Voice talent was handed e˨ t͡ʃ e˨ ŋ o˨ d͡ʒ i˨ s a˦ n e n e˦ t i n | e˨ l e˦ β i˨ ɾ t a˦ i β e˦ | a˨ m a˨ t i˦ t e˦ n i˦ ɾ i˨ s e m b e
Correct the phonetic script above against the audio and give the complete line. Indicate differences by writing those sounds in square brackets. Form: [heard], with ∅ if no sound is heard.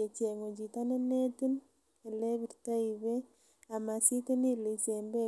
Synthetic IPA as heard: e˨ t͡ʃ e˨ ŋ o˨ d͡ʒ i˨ [t] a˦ n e n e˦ t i n | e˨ l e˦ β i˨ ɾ t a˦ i β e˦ | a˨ m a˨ [s] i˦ t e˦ n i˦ [l] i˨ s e m b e